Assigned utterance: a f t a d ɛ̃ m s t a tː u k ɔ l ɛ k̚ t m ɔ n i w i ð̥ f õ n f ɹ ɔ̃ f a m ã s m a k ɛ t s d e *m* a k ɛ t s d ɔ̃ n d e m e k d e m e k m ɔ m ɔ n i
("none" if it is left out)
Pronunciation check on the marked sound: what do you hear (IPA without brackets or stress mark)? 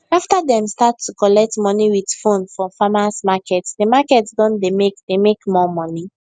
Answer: m